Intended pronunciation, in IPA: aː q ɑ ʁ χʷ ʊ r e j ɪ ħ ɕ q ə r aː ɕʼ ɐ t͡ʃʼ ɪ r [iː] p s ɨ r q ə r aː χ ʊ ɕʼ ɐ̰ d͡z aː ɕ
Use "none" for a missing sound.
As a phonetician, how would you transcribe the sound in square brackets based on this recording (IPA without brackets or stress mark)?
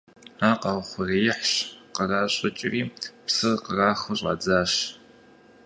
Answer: iː